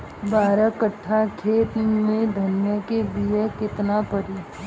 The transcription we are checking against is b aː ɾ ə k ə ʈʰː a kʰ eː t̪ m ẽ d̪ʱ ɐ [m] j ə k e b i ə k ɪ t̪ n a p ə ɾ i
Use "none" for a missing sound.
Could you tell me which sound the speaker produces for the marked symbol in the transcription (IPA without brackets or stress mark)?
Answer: n